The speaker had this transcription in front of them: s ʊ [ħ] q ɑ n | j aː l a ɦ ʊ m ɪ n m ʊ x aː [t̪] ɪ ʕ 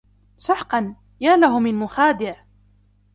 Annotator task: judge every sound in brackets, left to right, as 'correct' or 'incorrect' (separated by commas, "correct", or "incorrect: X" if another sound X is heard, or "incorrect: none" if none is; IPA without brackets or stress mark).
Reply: correct, incorrect: d̪